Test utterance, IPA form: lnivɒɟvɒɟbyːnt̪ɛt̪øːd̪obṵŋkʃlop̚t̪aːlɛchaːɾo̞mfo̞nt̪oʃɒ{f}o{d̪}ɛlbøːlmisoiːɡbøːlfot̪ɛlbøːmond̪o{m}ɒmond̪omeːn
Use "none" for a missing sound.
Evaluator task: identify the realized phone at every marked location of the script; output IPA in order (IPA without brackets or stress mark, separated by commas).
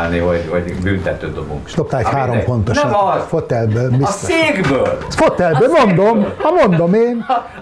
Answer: f, t̪, m